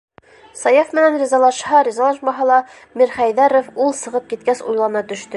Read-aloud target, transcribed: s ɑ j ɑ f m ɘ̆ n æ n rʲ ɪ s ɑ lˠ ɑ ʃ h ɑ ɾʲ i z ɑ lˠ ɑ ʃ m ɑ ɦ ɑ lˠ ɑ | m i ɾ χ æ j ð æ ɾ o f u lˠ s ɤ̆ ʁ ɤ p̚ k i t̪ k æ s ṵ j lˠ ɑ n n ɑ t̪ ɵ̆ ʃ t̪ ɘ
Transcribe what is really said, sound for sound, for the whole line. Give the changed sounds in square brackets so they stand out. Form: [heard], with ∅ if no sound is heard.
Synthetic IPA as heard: s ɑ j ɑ f m ɘ̆ n æ n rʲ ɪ [z] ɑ lˠ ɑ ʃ h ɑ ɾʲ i z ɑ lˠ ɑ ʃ m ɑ ɦ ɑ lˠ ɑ | m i ɾ χ æ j ð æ ɾ o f u lˠ s ɤ̆ ʁ ɤ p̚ k i t̪ k æ s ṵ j lˠ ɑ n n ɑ t̪ ɵ̆ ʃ t̪ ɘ

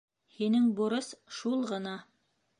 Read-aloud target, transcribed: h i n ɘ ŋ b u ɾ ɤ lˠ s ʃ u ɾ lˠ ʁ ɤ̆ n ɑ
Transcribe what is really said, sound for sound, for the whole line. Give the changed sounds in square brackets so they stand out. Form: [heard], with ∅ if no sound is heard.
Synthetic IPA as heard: h i n ɘ ŋ b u ɾ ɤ [∅] s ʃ u [∅] lˠ ʁ ɤ̆ n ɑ

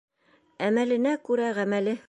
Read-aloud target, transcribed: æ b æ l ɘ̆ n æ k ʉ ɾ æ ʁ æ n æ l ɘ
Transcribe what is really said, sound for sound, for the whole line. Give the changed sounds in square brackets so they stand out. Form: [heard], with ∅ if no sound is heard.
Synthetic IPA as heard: æ [m] æ l ɘ̆ n æ k ʉ ɾ æ ʁ æ [m] æ l ɘ

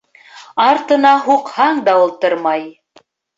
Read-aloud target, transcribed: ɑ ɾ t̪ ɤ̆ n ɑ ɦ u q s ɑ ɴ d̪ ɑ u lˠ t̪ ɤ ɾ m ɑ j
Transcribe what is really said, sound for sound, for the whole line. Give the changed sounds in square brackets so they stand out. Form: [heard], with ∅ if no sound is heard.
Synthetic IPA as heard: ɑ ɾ t̪ ɤ̆ n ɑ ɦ u q [h] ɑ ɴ d̪ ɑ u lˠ t̪ ɤ ɾ m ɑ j

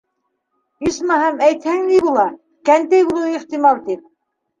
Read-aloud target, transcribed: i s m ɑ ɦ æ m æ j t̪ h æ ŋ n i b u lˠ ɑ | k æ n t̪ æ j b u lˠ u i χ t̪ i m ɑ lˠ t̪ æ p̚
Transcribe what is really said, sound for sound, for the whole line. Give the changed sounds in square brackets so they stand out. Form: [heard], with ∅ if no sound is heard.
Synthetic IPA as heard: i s m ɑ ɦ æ m æ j t̪ h æ ŋ n i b u lˠ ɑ | k æ n t̪ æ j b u lˠ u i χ t̪ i m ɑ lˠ t̪ [i] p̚

